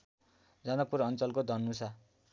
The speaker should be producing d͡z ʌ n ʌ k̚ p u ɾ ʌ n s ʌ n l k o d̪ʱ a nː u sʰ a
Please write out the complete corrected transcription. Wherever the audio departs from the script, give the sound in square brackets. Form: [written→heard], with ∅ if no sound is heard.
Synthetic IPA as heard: d͡z ʌ n ʌ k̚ p u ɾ ʌ n [s→t͡s] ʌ [n→∅] l k o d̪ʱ [a→ʌ] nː u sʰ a